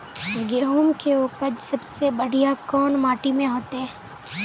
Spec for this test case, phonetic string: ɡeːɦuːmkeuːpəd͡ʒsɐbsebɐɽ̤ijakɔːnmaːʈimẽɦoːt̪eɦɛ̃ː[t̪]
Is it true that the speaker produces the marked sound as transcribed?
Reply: no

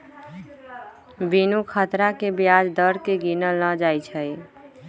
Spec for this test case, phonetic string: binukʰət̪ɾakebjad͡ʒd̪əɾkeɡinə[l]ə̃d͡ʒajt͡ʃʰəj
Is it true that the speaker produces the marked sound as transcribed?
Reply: yes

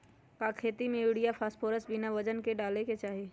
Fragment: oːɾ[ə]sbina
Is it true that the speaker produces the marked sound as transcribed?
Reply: yes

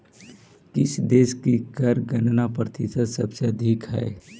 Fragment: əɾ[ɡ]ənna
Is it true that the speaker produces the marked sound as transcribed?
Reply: yes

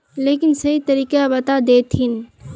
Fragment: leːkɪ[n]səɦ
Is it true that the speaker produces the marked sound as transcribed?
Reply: yes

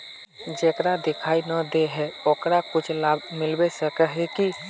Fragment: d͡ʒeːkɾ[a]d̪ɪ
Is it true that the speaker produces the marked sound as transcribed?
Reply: yes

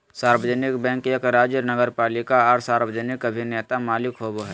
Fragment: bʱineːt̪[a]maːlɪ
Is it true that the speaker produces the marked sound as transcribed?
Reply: yes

